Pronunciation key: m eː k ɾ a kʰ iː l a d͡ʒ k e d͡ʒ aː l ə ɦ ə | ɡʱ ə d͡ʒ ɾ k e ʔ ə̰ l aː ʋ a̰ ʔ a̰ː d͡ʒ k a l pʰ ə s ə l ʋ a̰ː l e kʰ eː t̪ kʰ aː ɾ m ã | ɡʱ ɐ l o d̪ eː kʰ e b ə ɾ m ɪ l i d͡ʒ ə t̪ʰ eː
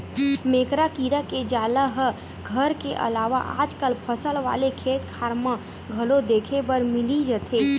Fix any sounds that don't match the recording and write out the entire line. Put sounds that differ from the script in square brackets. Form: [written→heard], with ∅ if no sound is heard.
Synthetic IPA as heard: m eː k ɾ a [kʰ→k] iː [l→ɾ] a [d͡ʒ→∅] k e d͡ʒ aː l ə ɦ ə | ɡʱ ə [d͡ʒ→∅] ɾ k e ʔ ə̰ l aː ʋ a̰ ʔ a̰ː d͡ʒ k [a→ə] l pʰ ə s ə l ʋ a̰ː l e kʰ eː t̪ kʰ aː ɾ m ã | ɡʱ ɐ l o d̪ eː kʰ e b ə ɾ m ɪ l i d͡ʒ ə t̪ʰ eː